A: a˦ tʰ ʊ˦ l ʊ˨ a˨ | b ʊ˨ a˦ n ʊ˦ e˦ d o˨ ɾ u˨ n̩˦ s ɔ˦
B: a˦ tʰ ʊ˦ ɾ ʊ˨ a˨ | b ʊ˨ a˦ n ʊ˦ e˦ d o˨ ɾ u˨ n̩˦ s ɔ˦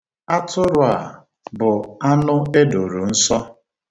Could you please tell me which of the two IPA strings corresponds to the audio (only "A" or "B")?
B